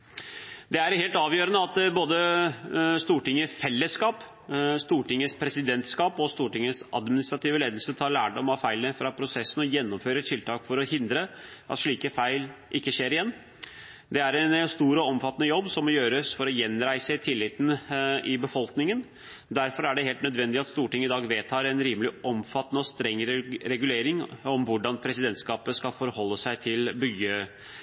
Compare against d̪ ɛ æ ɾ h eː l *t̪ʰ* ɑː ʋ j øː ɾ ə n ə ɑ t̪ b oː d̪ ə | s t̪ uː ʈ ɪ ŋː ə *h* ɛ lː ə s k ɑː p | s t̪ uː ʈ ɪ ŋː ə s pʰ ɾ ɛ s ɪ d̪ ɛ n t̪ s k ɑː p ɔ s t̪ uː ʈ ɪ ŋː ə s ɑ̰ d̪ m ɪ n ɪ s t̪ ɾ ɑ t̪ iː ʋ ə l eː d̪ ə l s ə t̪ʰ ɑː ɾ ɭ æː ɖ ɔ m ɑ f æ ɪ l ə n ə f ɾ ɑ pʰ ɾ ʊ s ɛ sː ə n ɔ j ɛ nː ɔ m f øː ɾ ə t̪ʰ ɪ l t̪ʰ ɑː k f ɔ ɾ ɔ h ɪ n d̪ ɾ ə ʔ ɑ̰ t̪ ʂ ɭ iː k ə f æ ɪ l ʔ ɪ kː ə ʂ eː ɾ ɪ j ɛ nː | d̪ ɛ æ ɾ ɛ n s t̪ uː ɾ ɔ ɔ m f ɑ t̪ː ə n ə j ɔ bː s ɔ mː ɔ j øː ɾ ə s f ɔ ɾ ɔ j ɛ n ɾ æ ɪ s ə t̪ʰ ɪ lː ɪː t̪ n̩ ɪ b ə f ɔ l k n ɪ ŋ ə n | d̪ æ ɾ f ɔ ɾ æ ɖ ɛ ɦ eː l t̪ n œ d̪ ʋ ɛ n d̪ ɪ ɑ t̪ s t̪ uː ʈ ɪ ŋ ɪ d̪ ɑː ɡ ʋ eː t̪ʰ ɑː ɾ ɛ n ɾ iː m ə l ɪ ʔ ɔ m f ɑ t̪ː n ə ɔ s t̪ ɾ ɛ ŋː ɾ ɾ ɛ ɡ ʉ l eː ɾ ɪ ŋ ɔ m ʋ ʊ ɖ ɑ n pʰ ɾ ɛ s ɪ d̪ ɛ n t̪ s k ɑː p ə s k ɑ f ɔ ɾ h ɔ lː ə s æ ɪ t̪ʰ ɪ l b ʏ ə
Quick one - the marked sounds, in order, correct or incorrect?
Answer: incorrect, incorrect

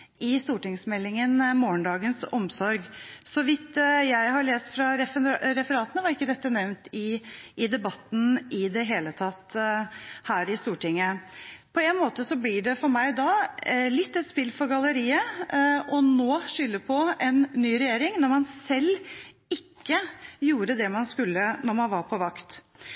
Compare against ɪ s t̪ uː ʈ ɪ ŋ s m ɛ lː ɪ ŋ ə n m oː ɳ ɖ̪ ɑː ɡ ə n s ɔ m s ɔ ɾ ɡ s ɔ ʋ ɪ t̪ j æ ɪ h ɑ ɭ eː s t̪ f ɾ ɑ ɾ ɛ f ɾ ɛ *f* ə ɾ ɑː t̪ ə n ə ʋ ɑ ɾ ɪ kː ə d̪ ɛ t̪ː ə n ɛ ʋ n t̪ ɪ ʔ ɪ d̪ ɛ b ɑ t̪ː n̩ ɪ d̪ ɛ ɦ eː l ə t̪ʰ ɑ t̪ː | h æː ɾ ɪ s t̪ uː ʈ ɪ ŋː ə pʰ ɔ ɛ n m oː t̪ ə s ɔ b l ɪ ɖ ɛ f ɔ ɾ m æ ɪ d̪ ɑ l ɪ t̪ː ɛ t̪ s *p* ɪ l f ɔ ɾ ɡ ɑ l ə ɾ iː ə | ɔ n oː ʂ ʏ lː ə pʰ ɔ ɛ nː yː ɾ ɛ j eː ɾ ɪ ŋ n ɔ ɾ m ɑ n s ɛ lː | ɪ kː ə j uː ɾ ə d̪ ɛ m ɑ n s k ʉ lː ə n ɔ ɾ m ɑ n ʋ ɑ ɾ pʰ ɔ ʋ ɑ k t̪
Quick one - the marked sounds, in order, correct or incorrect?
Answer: correct, correct

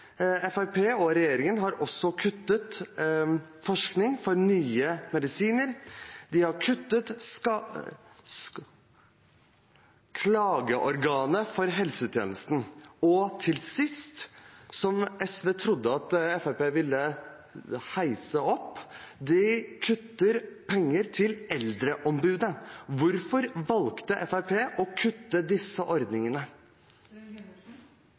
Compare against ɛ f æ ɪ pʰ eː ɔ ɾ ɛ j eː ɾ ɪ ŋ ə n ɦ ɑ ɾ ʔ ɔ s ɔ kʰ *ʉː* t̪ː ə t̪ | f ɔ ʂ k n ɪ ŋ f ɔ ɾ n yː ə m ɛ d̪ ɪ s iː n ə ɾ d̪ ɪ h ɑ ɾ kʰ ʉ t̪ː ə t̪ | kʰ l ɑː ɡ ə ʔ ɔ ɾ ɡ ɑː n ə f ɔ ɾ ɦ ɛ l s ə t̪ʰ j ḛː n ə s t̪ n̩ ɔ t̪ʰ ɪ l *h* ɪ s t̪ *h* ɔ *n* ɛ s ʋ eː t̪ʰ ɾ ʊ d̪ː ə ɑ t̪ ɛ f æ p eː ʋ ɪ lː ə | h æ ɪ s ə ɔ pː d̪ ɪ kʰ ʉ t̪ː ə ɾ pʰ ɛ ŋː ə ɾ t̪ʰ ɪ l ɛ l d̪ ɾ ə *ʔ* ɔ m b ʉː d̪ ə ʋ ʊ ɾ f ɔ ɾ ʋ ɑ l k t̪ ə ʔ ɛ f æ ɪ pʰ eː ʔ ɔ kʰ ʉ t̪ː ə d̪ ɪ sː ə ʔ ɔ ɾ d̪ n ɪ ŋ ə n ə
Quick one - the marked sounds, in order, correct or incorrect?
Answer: incorrect, incorrect, incorrect, incorrect, correct

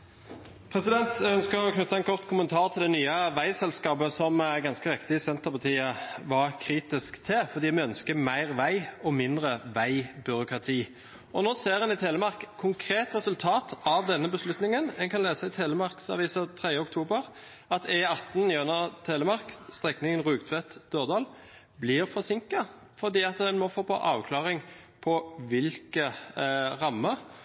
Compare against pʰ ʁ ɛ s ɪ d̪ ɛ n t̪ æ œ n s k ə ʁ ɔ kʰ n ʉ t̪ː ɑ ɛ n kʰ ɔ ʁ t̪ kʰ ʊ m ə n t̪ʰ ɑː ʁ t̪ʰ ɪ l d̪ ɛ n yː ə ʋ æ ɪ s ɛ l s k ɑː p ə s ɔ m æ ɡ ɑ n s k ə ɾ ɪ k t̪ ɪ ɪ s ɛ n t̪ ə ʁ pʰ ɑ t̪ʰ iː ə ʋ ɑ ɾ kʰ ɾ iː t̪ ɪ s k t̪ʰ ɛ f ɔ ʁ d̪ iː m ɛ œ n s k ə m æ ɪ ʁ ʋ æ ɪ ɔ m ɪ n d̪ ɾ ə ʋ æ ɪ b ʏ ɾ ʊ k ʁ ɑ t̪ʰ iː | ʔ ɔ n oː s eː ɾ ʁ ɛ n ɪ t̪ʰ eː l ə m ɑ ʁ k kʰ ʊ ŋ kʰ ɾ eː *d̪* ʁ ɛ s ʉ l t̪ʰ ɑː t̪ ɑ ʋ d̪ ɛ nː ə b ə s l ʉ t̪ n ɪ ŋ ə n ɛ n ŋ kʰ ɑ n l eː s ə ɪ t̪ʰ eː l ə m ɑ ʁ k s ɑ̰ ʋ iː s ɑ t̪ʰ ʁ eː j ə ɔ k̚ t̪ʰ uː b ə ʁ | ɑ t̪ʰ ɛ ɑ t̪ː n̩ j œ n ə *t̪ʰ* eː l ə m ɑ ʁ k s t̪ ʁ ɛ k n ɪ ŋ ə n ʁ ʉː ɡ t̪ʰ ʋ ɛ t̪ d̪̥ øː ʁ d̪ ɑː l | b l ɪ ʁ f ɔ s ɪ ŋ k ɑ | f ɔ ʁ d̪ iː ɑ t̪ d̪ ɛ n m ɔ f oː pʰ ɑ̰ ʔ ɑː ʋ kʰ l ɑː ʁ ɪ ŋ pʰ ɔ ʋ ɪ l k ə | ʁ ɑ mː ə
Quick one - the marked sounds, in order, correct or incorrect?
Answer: incorrect, correct

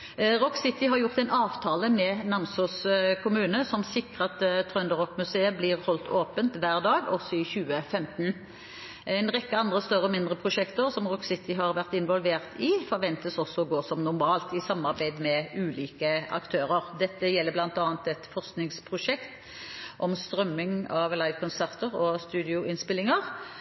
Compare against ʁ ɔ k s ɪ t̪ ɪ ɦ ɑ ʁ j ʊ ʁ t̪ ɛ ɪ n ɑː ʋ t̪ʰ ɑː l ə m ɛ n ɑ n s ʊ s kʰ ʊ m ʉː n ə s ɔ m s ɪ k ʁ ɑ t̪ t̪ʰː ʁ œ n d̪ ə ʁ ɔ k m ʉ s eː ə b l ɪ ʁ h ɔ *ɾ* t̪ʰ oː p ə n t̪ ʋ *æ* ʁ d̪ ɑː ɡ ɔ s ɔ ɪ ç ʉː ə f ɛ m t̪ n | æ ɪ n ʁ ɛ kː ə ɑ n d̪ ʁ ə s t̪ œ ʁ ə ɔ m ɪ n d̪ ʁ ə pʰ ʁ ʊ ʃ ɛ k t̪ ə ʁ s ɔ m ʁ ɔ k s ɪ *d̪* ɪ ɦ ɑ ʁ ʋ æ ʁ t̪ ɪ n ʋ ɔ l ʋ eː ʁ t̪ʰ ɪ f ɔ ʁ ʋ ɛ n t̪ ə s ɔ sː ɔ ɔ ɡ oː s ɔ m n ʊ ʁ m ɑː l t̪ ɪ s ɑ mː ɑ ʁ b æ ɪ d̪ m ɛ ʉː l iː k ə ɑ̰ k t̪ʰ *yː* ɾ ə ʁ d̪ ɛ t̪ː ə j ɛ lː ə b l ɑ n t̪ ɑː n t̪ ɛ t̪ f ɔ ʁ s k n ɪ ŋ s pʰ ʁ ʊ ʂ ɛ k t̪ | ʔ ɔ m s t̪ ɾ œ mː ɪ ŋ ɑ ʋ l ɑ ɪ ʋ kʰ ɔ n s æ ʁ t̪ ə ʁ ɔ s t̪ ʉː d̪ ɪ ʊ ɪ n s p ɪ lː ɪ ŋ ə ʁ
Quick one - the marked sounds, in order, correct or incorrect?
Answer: incorrect, incorrect, incorrect, incorrect

